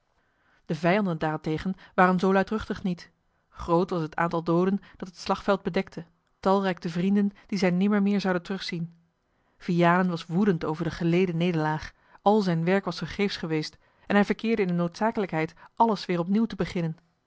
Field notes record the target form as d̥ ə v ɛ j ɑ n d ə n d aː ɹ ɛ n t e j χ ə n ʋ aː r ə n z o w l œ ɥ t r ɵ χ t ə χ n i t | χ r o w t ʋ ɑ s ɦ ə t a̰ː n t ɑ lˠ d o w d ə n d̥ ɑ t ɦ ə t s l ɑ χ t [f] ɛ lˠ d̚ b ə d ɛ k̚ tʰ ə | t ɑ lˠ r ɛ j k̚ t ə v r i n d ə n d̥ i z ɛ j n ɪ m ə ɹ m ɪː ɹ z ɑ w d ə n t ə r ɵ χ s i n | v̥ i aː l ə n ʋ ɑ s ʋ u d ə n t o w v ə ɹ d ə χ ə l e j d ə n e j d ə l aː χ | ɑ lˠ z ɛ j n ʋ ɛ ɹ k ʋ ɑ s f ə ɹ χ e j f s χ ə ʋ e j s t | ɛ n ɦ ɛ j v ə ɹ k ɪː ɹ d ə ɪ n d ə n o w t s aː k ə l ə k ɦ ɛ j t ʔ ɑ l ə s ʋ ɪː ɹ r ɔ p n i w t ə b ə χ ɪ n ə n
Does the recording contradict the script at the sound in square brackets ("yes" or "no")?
no